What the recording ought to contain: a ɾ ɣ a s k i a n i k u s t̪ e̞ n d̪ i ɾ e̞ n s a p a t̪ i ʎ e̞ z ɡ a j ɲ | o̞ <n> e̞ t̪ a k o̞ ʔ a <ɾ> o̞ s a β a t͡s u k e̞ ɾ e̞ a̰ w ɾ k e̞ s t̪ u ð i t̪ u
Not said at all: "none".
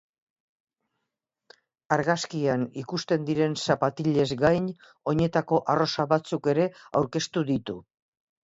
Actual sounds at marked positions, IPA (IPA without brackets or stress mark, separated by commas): ɲ, r